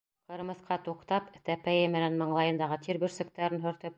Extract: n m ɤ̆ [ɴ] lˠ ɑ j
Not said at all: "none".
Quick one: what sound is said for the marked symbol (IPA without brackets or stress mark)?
ɴ